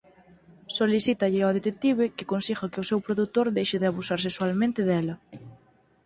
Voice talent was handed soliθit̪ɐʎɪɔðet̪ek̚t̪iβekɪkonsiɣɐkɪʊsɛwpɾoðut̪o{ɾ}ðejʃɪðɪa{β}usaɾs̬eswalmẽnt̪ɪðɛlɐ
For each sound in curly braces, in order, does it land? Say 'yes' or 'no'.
yes, yes

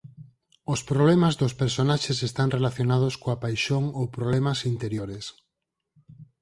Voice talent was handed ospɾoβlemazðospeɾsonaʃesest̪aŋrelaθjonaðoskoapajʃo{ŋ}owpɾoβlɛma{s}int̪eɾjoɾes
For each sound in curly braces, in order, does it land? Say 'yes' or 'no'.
yes, yes

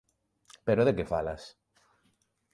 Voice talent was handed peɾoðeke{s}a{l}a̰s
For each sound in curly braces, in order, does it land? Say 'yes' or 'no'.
no, yes

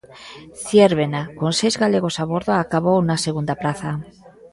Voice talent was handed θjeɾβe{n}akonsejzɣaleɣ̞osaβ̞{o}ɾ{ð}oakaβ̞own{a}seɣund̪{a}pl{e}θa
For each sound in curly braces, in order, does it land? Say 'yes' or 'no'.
yes, yes, yes, yes, yes, no

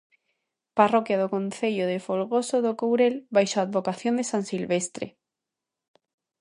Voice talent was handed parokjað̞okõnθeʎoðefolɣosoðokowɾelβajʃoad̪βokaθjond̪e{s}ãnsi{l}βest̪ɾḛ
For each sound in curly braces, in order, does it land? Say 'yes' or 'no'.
yes, yes

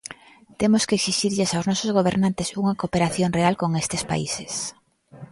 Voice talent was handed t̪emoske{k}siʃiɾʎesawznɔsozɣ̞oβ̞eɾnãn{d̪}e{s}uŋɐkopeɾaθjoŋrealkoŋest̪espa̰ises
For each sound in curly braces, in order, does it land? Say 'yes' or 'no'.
yes, no, yes

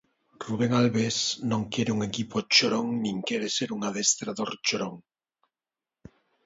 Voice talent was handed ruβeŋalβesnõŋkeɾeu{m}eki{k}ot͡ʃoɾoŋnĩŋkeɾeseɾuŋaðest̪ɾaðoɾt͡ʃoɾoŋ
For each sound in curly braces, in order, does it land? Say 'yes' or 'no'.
no, no

